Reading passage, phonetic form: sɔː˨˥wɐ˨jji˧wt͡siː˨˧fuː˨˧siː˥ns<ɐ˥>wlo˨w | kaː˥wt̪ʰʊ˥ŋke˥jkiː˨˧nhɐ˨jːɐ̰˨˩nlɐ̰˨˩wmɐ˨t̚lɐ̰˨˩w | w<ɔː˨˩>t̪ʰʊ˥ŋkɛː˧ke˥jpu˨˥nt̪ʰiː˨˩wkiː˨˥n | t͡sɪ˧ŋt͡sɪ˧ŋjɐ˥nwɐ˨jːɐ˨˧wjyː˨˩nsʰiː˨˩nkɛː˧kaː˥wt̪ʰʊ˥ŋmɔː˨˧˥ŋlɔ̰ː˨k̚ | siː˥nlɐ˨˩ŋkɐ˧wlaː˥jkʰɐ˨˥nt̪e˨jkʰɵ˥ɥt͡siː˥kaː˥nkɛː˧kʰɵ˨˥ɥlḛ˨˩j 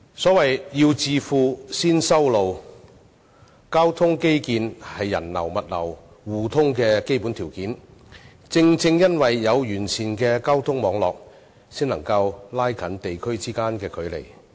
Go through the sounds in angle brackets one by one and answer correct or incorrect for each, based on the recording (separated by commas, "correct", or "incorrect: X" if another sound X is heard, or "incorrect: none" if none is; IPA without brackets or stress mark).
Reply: correct, incorrect: uː˨˩